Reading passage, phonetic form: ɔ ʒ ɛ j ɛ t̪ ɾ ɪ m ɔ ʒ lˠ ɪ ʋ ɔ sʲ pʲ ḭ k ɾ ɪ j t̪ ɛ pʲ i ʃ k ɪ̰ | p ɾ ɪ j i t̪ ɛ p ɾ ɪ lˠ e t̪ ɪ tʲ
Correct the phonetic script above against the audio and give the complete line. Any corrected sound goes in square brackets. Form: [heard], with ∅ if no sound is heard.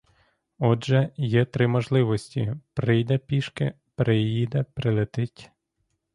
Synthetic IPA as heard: ɔ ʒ ɛ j ɛ t̪ ɾ ɪ m ɔ ʒ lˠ ɪ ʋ ɔ sʲ [tʲ] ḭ [p] ɾ ɪ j [d̪] ɛ pʲ i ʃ k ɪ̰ | p ɾ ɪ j i [d̪] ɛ p ɾ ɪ lˠ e t̪ ɪ tʲ

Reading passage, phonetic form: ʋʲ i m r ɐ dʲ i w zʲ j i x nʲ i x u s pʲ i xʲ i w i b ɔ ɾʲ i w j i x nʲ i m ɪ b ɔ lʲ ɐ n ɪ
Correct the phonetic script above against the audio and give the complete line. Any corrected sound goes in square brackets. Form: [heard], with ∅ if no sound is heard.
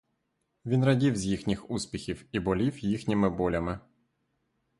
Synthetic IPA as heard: ʋʲ i [n] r ɐ dʲ i w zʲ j i x nʲ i x u s pʲ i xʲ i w i b ɔ [lʲ] i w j i x nʲ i m ɪ b ɔ lʲ ɐ [m] ɪ

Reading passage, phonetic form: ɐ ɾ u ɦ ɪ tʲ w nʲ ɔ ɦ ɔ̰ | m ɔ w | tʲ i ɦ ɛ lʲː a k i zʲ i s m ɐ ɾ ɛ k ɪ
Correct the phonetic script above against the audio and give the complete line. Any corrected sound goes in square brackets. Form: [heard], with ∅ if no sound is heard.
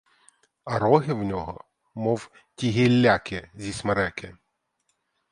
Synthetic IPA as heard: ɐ ɾ [ɔ] ɦ ɪ [∅] w nʲ ɔ ɦ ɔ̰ | m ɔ w | tʲ i ɦ [i] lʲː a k [ɪ] zʲ i s m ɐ ɾ ɛ k ɪ

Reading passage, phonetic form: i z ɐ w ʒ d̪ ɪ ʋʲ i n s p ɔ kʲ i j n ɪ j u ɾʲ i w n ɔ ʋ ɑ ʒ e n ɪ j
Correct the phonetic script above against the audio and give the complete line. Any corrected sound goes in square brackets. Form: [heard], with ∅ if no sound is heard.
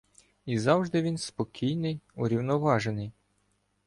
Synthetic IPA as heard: i z [ɑ] w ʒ d̪ ɪ ʋʲ i n s p ɔ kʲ i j n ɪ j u ɾʲ i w n ɔ ʋ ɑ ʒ e n ɪ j

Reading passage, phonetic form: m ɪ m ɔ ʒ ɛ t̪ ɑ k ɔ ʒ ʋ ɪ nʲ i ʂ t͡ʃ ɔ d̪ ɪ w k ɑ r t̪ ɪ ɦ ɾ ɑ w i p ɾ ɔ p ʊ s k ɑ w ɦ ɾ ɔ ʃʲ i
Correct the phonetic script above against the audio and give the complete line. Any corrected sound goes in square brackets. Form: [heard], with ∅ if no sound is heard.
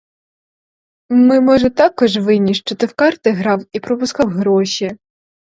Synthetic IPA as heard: m ɪ m ɔ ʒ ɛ t̪ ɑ k ɔ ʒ ʋ ɪ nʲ i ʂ t͡ʃ ɔ [t̪] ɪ w k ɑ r t̪ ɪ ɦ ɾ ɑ w i p ɾ ɔ p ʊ s k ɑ w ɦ ɾ ɔ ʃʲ i

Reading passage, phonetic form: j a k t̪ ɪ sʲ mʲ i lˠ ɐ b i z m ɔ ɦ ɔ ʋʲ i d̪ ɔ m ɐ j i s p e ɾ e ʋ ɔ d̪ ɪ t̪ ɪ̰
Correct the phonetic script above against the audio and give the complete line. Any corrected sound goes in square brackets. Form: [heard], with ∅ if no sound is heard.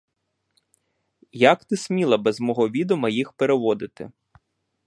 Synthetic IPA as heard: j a k t̪ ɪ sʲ mʲ i lˠ ɐ b [ɛ] z m ɔ ɦ ɔ ʋʲ i d̪ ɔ m ɐ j i [x] p e ɾ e ʋ ɔ d̪ ɪ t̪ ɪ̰

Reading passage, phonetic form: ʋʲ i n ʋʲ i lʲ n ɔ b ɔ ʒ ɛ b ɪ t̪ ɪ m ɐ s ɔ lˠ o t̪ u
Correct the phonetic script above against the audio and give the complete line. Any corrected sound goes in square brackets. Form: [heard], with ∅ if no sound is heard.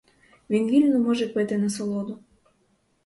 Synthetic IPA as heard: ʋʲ i n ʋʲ i lʲ n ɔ [m] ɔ ʒ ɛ [p] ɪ t̪ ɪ [n] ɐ s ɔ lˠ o [d̪] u

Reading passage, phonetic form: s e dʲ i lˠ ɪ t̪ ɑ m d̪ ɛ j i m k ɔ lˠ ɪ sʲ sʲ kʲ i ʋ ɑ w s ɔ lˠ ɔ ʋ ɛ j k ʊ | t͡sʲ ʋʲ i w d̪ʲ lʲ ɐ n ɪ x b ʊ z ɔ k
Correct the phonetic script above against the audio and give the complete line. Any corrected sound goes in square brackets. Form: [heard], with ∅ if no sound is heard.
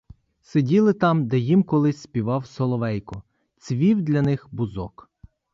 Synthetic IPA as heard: s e dʲ i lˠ ɪ t̪ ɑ m d̪ ɛ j i m k ɔ lˠ ɪ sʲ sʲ [pʲ] i ʋ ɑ w s ɔ lˠ ɔ ʋ ɛ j k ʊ | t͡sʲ ʋʲ i w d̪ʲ lʲ ɐ n ɪ x b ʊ z ɔ k

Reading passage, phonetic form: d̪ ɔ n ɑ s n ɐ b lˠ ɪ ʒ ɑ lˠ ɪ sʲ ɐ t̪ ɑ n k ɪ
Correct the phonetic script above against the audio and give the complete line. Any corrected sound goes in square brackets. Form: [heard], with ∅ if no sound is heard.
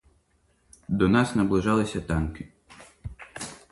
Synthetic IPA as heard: d̪ ɔ n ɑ s n ɐ b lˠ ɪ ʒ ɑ lˠ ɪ sʲ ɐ t̪ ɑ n k ɪ

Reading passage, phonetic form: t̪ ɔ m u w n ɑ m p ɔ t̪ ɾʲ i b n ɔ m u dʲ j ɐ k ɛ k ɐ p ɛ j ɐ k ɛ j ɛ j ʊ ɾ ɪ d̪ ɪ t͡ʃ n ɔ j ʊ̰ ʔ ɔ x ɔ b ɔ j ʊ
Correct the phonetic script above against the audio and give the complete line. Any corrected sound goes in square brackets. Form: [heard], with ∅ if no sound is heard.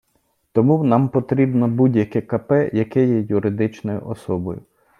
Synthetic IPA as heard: t̪ ɔ m u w n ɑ m p ɔ t̪ ɾʲ i b n ɔ [b] u dʲ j ɐ k ɛ k ɐ p ɛ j ɐ k ɛ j ɛ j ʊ ɾ ɪ d̪ ɪ t͡ʃ n ɔ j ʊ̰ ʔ ɔ [s] ɔ b ɔ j ʊ

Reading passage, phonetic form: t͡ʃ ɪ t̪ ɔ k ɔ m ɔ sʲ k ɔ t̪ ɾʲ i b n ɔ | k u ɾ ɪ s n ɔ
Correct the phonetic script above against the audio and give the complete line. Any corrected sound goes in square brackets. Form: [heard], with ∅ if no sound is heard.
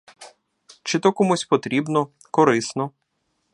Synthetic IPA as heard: t͡ʃ ɪ t̪ ɔ k ɔ m [u] sʲ [p] ɔ t̪ ɾʲ i b n ɔ | k [ɔ] ɾ ɪ s n ɔ

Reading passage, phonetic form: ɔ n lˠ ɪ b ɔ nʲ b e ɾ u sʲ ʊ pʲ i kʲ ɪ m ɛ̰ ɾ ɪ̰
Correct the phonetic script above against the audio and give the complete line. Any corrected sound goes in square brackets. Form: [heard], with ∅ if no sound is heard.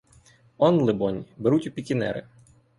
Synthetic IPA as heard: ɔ n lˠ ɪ b ɔ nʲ b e ɾ u [tʲ] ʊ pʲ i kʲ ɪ [n] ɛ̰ ɾ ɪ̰

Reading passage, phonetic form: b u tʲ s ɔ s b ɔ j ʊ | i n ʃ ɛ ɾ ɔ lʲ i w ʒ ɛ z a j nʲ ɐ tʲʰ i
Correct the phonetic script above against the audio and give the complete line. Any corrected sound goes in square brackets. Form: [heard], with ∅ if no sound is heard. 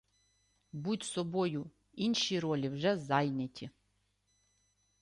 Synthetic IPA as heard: b u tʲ s ɔ [∅] b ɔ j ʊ | i n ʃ [i] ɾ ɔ lʲ i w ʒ ɛ z a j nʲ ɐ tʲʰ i

